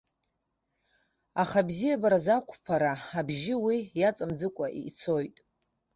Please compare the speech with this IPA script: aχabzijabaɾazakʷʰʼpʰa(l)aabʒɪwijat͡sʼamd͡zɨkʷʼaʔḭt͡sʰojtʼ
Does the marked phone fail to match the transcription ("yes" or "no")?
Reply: yes